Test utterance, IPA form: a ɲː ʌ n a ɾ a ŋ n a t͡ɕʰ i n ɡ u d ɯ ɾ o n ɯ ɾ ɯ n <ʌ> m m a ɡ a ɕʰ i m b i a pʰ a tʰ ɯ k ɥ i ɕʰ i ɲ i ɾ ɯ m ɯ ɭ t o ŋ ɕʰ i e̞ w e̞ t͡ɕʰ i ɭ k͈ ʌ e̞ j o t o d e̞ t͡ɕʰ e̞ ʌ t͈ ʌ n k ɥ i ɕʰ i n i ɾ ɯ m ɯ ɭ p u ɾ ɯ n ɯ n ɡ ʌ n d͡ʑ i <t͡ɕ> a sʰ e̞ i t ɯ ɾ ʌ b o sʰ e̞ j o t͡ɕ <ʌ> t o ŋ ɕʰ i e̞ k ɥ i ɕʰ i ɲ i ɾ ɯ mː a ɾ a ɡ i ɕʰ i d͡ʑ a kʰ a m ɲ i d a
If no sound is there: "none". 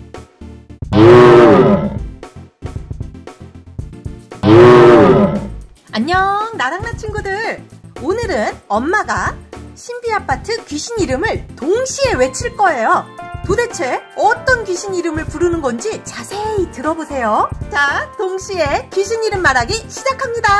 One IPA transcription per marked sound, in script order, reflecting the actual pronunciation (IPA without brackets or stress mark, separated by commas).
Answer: ʌ, t͡ɕ, a